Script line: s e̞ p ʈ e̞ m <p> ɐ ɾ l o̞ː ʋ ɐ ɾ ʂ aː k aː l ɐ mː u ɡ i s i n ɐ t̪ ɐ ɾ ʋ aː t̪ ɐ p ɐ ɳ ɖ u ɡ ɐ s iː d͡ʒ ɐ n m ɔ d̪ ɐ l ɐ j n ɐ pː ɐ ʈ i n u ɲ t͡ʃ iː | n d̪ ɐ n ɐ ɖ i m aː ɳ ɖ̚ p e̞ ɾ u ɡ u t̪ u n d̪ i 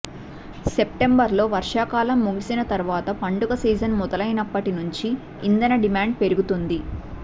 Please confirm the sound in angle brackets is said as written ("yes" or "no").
no